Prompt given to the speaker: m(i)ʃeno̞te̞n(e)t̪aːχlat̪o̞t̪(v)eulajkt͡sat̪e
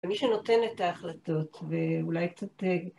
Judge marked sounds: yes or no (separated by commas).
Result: yes, yes, yes